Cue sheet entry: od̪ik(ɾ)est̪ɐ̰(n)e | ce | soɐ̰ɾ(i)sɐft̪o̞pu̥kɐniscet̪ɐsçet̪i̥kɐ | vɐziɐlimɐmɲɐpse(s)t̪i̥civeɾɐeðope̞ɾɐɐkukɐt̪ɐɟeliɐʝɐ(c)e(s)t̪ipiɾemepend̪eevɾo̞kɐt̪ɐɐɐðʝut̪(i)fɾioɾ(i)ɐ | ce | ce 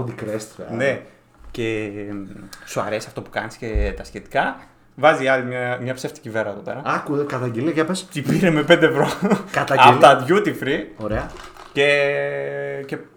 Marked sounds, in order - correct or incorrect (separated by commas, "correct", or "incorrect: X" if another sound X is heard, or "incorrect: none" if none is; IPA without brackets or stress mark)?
correct, correct, incorrect: e, incorrect: f, incorrect: p, correct, correct, incorrect: e